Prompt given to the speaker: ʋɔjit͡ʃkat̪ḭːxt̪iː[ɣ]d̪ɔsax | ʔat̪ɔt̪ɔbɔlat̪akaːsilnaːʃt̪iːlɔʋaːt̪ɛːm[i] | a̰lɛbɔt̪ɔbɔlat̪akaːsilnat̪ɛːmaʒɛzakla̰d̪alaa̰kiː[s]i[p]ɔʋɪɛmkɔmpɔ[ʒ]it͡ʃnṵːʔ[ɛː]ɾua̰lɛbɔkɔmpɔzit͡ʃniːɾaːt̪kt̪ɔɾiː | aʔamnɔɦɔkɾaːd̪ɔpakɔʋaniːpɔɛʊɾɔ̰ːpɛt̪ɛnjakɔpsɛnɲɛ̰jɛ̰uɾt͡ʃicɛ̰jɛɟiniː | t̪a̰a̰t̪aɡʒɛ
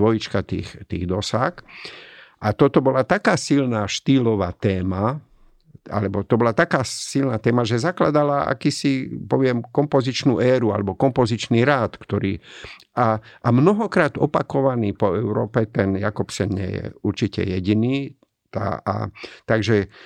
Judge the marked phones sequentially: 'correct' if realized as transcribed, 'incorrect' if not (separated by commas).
correct, incorrect, correct, correct, incorrect, correct